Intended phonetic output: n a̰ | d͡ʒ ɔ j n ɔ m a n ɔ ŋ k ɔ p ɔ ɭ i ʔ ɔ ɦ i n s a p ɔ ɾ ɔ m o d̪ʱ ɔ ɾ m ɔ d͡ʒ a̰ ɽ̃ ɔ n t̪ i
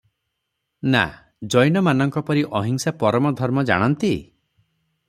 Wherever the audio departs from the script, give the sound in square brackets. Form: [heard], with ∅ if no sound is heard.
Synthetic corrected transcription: n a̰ | d͡ʒ ɔ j n ɔ m a n ɔ ŋ k ɔ p ɔ [ɾ] i ʔ ɔ ɦ i [ŋ] s a p ɔ ɾ ɔ m [ɔ] d̪ʱ ɔ ɾ m ɔ d͡ʒ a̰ ɽ̃ ɔ n t̪ i